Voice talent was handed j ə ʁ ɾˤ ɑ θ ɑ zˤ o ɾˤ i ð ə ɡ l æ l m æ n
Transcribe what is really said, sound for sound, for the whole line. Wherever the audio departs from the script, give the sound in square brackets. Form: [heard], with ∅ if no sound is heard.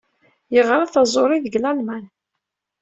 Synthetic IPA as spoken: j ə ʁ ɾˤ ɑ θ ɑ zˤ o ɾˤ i ð ə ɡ l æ l m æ n